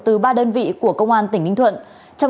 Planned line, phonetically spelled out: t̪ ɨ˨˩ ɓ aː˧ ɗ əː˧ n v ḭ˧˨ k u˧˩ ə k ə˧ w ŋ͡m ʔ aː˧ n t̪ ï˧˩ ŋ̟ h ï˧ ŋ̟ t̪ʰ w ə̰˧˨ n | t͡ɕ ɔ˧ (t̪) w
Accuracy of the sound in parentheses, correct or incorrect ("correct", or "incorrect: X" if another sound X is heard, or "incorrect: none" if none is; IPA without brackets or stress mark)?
incorrect: none